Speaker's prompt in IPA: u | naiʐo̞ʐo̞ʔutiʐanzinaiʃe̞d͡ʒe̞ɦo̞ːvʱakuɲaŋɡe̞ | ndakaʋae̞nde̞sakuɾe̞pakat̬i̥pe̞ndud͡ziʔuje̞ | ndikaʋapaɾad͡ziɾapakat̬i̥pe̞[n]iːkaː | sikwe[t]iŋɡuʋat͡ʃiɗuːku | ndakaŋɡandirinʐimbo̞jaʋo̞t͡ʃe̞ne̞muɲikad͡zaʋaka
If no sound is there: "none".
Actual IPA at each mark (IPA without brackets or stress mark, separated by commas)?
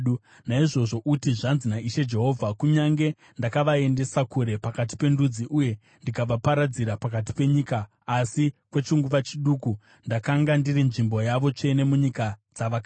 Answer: ɲ, t͡ʃ